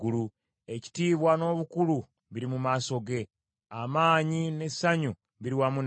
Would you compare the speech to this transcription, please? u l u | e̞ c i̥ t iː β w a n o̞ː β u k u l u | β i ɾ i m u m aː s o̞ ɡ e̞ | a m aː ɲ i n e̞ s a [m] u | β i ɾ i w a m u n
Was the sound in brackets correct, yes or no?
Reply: no